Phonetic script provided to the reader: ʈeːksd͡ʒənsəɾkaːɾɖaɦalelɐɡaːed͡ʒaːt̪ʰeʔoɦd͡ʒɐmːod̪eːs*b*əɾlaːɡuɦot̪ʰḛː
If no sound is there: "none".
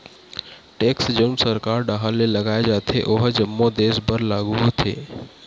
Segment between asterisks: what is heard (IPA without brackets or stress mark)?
b